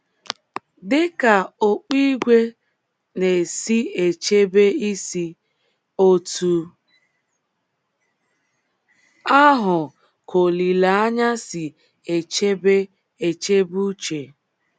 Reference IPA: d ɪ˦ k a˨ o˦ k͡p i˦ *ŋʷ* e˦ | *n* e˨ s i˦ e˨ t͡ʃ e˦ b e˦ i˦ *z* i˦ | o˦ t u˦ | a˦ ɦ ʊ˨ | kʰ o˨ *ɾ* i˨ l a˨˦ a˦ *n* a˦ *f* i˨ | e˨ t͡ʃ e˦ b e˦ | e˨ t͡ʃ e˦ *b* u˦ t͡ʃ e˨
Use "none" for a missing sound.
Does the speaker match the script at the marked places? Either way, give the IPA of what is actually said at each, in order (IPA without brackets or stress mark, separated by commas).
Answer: ɡʷ, n, s, l, ɲ, s, b